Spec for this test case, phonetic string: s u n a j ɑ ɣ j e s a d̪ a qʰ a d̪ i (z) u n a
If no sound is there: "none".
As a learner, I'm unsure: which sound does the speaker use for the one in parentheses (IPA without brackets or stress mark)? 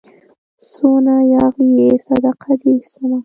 s